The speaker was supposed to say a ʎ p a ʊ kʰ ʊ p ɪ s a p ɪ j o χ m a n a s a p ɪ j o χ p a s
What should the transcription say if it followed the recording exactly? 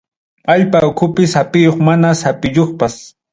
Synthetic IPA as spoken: a ʎ p a ʊ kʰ ʊ p ɪ s a p ɪ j o χ m a n a s a p ɪ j o χ p a s